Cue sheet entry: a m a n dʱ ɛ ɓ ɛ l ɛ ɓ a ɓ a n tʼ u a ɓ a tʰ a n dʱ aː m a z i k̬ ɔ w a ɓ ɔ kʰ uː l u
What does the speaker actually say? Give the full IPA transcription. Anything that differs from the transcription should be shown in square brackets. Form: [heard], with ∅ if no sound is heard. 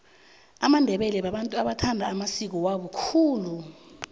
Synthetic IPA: a m a n dʱ ɛ ɓ ɛ l ɛ ɓ a ɓ a n tʼ u a ɓ a tʰ a n dʱ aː m a [s] i k̬ ɔ w a ɓ ɔ kʰ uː l u